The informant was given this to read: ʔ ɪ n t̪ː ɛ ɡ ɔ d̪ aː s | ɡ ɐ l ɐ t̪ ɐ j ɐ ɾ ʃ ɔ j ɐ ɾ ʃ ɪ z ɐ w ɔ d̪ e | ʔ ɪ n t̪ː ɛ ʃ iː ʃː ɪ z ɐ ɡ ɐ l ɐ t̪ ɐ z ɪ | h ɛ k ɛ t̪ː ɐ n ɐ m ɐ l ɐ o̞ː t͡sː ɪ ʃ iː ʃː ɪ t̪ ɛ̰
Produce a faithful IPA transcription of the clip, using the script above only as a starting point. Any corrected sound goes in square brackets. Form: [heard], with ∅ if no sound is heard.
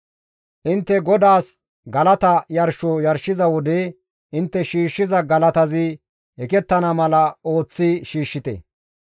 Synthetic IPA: ʔ ɪ n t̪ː ɛ ɡ ɔ d̪ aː s | ɡ ɐ l ɐ t̪ ɐ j ɐ ɾ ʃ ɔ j ɐ ɾ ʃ ɪ z ɐ w ɔ d̪ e | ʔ ɪ n t̪ː ɛ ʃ iː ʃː ɪ z ɐ ɡ ɐ l ɐ t̪ ɐ z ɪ | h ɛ k ɛ t̪ː ɐ n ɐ m ɐ l ɐ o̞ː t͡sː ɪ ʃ iː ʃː ɪ t̪ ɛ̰